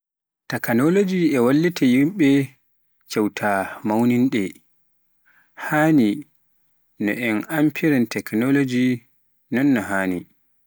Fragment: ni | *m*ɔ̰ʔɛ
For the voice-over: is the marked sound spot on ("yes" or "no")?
no